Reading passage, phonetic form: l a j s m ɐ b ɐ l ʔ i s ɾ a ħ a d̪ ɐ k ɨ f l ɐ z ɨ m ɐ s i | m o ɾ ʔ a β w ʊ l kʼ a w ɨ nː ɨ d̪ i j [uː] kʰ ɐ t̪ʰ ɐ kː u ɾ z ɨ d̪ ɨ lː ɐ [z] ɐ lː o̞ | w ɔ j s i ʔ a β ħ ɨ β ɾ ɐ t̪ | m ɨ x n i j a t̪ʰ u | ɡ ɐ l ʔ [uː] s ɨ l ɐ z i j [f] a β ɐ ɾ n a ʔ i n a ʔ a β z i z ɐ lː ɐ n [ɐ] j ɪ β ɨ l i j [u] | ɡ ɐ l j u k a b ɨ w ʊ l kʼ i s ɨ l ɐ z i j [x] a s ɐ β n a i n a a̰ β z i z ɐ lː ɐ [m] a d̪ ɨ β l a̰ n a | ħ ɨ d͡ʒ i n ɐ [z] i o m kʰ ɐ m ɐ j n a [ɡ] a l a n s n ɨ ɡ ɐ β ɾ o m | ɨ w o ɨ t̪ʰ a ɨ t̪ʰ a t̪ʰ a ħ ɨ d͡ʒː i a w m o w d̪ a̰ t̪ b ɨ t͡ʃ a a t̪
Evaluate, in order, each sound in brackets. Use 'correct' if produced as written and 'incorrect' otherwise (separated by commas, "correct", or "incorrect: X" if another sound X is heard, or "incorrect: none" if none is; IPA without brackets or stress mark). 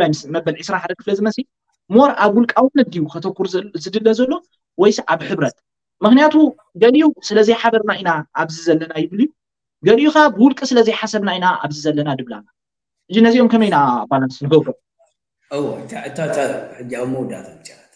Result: incorrect: u, correct, incorrect: u, incorrect: ħ, incorrect: a, correct, incorrect: ħ, incorrect: n, correct, incorrect: b